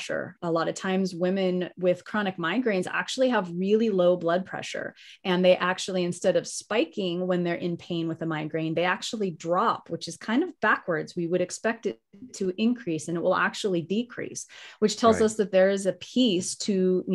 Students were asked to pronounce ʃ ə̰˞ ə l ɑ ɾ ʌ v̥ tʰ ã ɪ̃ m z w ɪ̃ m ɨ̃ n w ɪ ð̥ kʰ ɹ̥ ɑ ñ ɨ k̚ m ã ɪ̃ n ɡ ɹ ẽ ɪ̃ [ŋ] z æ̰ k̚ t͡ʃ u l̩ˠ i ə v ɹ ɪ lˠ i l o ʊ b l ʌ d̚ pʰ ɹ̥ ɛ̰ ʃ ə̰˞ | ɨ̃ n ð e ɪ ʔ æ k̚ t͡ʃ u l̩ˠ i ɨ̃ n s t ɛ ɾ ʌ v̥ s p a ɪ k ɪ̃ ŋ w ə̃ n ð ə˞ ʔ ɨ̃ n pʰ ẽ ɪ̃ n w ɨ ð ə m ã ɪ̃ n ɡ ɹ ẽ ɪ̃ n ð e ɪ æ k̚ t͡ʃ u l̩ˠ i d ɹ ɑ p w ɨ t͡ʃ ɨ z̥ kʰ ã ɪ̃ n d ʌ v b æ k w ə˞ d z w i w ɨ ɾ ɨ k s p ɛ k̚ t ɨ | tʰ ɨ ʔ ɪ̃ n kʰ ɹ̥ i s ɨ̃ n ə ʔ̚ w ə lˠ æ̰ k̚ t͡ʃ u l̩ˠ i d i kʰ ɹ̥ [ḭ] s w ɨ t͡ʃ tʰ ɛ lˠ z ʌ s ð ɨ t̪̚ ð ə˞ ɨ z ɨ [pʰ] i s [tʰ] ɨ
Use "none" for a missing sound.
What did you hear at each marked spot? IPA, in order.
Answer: n, ḭ, pʰ, tʰ

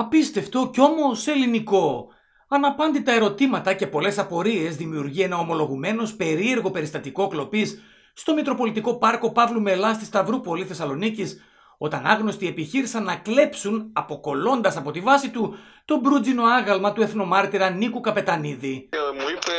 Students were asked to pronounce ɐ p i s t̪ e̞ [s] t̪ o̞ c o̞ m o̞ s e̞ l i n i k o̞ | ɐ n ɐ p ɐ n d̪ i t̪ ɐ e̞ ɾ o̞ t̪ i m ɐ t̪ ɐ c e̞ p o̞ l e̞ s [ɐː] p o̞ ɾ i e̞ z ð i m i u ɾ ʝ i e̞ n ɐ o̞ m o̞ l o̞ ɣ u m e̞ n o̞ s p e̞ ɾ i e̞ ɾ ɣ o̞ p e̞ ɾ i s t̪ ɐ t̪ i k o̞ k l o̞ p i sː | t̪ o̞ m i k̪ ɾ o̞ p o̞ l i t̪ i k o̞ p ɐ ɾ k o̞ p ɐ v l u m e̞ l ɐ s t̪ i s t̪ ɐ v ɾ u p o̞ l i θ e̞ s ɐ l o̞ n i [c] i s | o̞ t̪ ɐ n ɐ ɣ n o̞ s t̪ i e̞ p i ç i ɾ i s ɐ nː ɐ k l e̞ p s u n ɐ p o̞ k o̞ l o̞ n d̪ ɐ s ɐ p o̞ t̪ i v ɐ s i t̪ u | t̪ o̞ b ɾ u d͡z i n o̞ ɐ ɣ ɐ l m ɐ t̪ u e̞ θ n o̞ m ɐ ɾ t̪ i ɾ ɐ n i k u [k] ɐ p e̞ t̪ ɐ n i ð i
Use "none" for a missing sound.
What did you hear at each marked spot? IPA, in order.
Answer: f, ɐ, c, k

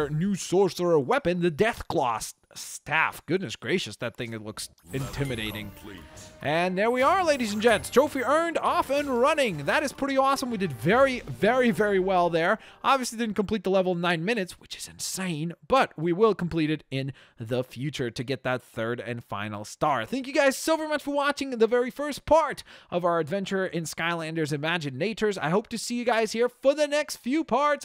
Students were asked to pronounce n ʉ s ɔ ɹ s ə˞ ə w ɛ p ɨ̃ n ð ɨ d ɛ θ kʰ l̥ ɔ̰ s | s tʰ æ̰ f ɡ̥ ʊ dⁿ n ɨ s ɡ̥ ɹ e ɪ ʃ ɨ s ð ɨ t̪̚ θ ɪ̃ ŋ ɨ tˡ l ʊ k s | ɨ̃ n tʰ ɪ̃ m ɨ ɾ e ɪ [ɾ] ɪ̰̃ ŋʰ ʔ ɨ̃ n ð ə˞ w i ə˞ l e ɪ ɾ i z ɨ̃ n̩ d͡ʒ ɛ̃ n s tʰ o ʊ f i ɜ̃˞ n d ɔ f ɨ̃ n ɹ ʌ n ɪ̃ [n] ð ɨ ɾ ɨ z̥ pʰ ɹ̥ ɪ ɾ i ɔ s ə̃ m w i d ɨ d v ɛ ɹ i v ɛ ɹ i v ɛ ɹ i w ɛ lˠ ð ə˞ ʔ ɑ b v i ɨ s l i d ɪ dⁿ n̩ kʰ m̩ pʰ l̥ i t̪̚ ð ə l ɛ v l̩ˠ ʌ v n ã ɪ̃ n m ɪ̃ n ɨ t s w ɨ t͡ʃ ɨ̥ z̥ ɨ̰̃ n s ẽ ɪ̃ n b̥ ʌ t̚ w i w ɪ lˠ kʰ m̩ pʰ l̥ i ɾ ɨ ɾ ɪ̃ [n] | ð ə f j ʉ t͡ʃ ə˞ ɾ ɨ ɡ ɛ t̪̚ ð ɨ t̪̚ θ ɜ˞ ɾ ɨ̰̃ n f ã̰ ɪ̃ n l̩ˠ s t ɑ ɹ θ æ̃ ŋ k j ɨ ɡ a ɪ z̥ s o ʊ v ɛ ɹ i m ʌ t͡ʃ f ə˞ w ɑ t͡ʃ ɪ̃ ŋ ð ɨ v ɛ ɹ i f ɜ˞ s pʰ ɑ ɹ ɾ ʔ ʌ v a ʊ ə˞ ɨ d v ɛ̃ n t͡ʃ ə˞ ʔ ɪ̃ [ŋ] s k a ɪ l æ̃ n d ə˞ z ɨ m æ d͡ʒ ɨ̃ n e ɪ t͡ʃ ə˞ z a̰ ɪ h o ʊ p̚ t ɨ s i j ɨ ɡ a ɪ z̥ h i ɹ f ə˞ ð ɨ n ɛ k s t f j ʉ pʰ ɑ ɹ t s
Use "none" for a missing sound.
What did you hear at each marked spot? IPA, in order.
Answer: ɾ, ŋ, n, n

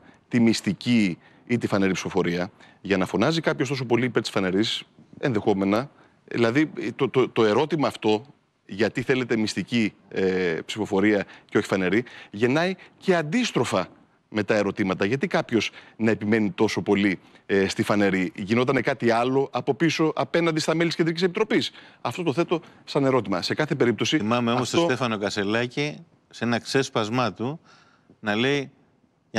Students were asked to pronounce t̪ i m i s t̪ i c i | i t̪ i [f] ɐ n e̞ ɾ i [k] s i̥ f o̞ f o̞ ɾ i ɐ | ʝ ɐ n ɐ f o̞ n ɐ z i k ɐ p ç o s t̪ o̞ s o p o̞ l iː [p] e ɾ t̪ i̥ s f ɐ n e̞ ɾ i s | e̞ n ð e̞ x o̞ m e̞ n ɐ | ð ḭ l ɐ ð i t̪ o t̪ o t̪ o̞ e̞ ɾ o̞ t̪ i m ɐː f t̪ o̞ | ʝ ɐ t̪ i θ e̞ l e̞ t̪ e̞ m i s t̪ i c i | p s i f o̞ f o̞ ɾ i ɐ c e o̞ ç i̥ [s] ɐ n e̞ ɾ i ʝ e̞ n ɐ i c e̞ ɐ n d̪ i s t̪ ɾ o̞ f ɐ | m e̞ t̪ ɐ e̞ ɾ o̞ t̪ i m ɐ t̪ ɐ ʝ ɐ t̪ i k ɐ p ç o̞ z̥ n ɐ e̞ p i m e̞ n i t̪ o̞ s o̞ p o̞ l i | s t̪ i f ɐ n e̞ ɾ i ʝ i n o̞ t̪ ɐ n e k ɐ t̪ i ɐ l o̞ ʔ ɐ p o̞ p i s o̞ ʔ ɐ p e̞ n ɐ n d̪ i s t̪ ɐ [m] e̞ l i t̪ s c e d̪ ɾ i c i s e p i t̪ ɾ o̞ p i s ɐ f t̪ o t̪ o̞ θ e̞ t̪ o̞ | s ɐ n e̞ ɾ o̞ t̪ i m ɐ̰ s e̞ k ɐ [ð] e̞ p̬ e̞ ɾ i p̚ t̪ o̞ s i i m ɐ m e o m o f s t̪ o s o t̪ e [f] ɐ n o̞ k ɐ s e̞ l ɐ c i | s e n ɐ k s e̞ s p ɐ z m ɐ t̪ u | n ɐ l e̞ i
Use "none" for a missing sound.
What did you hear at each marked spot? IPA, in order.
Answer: f, p, p, f, m, θ, f

